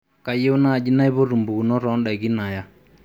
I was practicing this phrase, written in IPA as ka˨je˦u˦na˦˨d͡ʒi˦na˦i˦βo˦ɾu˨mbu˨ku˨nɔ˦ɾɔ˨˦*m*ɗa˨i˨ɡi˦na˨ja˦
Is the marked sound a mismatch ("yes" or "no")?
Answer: yes